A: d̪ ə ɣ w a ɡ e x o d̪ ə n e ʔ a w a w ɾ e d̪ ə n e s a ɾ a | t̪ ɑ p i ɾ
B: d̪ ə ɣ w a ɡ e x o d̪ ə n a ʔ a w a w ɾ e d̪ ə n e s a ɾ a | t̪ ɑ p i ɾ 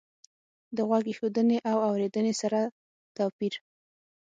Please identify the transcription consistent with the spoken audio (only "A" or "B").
A